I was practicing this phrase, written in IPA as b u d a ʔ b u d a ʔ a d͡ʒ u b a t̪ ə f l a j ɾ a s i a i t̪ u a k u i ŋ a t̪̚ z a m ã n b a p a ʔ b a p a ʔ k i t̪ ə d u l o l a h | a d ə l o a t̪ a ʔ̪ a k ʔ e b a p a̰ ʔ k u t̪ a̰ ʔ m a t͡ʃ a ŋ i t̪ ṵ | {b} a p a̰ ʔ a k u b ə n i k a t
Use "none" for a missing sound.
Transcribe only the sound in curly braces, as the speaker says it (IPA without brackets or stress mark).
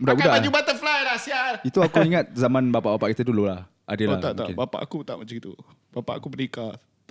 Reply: b